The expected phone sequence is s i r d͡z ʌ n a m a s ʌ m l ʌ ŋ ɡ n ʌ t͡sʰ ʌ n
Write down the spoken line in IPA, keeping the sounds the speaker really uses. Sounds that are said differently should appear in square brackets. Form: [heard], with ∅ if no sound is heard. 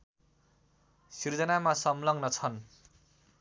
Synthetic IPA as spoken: s i r d͡z ʌ n a m a s ʌ m l ʌ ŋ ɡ n ʌ t͡sʰ ʌ n